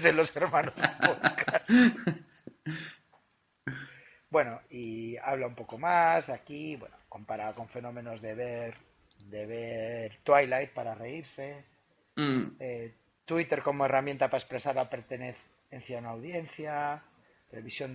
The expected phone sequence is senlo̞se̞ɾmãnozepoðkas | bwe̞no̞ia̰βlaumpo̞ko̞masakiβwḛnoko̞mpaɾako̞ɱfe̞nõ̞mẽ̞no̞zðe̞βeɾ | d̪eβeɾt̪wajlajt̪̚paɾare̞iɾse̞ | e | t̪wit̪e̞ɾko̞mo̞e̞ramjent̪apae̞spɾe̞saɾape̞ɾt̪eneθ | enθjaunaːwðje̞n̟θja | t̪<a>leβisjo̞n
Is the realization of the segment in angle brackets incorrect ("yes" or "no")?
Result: yes